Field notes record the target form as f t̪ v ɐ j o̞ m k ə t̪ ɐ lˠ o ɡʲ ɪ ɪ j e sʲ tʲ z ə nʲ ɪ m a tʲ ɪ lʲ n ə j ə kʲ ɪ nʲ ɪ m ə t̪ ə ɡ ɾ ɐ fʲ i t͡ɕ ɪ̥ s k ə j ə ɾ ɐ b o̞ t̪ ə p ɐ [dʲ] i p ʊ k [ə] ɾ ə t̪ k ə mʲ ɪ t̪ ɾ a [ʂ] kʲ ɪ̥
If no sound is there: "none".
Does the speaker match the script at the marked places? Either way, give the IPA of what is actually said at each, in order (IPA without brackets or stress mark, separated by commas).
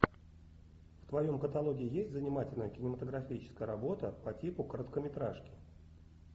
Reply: tʲ, ə, ʂ